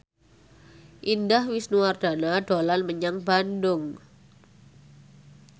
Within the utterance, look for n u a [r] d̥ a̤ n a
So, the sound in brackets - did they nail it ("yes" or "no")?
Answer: yes